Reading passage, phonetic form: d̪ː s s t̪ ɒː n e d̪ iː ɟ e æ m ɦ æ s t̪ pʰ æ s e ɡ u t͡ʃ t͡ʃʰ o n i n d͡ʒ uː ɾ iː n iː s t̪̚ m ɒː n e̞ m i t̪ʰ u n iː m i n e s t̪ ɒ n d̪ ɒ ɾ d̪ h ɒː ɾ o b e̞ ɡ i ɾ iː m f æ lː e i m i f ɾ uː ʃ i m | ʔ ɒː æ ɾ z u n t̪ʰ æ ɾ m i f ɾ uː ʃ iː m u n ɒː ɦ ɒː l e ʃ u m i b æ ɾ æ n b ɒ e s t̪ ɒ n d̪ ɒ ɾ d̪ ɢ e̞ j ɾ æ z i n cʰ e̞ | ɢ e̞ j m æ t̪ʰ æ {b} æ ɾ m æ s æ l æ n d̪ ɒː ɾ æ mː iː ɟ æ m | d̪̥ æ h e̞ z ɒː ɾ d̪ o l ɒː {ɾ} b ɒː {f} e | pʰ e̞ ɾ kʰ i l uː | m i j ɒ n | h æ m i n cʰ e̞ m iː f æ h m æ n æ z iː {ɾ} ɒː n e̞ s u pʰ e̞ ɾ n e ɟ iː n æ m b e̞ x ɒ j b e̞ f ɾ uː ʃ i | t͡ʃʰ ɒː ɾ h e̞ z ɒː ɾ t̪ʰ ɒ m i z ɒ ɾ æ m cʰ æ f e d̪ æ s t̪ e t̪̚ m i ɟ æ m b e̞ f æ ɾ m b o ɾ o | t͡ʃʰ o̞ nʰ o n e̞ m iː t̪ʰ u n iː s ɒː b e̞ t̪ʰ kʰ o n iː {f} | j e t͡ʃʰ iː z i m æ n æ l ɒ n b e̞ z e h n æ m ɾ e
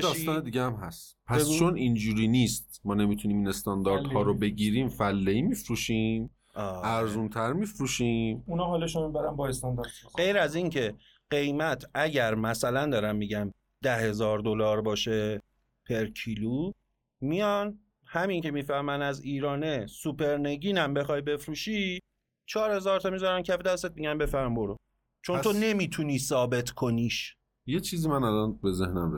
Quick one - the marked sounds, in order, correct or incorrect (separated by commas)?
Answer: incorrect, correct, incorrect, correct, incorrect